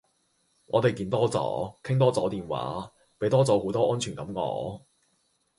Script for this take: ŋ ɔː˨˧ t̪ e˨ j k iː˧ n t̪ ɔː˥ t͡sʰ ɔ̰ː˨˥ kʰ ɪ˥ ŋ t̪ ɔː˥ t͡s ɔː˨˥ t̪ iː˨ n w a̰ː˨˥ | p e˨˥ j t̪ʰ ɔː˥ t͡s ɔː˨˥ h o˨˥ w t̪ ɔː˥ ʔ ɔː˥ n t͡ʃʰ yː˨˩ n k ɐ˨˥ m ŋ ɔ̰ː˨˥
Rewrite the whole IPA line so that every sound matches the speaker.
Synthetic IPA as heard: ŋ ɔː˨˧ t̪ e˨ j k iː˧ n t̪ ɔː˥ t͡s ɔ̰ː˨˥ kʰ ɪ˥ ŋ t̪ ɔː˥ t͡s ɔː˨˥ t̪ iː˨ n w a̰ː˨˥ | p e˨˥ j t̪ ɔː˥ t͡s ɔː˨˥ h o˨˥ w t̪ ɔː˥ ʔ ɔː˥ n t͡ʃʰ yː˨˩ n k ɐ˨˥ m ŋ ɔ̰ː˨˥